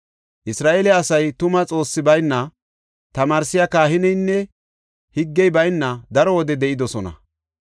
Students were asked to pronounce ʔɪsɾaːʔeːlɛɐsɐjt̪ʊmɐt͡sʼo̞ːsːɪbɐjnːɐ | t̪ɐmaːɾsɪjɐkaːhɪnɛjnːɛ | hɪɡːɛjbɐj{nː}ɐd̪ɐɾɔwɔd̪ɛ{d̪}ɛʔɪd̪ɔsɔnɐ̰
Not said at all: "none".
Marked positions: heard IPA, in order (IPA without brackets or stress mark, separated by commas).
nː, d̪